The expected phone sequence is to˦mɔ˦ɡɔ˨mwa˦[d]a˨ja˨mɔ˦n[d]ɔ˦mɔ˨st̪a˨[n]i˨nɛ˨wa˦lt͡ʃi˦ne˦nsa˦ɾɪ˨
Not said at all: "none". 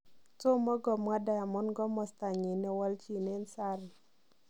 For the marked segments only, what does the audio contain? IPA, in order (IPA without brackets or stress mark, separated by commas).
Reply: d, ɡ, ɲ